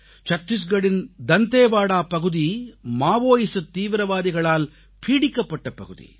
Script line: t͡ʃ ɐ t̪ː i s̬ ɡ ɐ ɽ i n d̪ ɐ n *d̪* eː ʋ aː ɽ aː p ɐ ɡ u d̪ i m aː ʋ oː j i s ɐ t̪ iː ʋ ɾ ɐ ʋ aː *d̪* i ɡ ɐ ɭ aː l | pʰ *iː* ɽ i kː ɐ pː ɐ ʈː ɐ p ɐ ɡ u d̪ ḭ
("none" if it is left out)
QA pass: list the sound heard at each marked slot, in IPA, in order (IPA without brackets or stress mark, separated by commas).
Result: t̪, d̪, iː